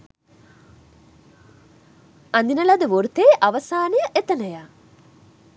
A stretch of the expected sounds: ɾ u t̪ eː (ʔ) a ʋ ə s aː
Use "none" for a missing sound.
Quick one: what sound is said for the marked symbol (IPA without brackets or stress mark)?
ʔ